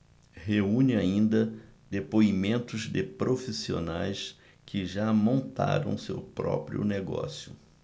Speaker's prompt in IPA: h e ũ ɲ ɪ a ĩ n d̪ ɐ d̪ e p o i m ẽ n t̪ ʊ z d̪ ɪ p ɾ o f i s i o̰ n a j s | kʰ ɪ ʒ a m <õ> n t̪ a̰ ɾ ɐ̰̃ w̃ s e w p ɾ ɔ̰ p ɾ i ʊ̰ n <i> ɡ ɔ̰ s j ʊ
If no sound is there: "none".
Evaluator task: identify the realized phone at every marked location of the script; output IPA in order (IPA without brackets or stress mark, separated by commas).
õ, e